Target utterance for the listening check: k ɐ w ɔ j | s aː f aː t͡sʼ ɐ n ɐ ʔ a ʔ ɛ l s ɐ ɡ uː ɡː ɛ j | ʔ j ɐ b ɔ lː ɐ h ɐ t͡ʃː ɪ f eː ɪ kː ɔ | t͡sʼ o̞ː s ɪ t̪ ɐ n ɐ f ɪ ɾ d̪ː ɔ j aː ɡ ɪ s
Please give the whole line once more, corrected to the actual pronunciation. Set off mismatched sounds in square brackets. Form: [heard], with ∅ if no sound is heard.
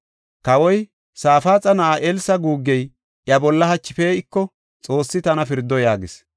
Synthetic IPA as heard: k ɐ w ɔ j | s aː f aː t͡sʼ ɐ n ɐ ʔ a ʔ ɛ l s ɐ ɡ uː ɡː ɛ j | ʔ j ɐ b ɔ lː ɐ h ɐ t͡ʃː ɪ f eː ɪ kː ɔ | t͡sʼ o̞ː [sː] ɪ t̪ ɐ n ɐ f ɪ ɾ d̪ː ɔ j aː ɡ ɪ s